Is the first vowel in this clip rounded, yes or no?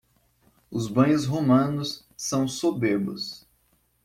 yes